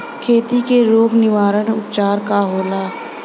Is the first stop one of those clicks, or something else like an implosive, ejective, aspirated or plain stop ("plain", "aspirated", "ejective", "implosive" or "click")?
aspirated